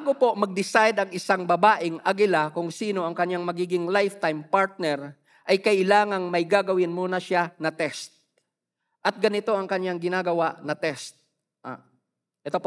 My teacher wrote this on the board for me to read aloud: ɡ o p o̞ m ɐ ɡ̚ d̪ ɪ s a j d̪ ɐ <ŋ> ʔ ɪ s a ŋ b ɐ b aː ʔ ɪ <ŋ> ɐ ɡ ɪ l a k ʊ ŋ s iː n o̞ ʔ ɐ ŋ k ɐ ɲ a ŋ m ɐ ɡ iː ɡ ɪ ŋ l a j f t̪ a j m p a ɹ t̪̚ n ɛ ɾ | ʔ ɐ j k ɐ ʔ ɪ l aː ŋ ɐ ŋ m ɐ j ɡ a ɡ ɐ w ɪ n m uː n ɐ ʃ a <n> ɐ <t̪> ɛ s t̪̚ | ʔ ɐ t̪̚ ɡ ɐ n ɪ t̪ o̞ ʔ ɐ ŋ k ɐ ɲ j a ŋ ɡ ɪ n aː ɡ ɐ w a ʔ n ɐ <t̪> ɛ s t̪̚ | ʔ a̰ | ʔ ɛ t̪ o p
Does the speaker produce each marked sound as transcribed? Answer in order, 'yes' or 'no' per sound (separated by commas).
yes, yes, yes, yes, yes